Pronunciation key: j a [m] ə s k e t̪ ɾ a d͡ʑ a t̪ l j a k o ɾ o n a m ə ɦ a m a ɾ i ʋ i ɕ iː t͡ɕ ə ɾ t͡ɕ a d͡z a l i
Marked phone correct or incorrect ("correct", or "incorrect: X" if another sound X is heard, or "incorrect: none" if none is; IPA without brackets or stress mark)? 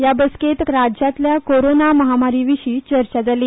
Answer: incorrect: b